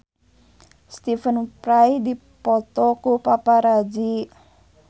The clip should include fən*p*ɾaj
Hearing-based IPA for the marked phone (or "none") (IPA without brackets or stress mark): p